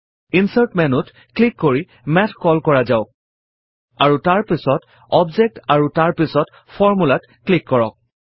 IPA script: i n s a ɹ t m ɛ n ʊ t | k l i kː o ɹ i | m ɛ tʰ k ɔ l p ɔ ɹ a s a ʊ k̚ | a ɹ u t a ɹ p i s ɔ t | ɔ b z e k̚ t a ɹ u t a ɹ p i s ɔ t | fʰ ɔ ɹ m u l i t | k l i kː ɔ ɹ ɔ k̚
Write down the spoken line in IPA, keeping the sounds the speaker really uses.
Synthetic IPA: i n s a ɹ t m ɛ n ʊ t | k l i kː o ɹ i | m ɛ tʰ k ɔ l k ɔ ɹ a z a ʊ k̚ | a ɹ u t a ɹ p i s ɔ t | ɔ b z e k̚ t a ɹ u t a ɹ p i s ɔ t | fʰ ɔ ɹ m u l a t | k l i kː ɔ ɹ ɔ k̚